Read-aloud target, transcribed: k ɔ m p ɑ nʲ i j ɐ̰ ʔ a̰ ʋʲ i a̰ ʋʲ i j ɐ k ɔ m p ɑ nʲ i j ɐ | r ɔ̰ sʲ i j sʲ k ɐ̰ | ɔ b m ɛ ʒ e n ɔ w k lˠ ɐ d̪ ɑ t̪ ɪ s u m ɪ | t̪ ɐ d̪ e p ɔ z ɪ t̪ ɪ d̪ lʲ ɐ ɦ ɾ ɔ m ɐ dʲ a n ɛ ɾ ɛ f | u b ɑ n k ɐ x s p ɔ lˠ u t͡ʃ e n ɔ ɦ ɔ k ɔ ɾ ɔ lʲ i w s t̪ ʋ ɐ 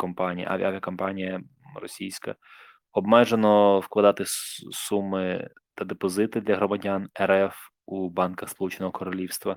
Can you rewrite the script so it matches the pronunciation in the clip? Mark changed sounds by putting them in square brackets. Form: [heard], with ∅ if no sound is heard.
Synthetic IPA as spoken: k ɔ m p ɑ nʲ i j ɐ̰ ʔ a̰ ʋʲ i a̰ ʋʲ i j ɐ k ɔ m p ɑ nʲ i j ɐ | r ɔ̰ sʲ i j sʲ k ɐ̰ | ɔ b m ɛ ʒ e n ɔ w k lˠ ɐ d̪ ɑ t̪ ɪ s u m ɪ | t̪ ɐ d̪ e p ɔ z ɪ t̪ ɪ d̪ lʲ ɐ ɦ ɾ ɔ m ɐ dʲ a n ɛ ɾ ɛ f | u b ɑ n k ɐ x s p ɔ lˠ u t͡ʃ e n ɔ ɦ ɔ k ɔ ɾ ɔ lʲ i w s t̪ ʋ ɐ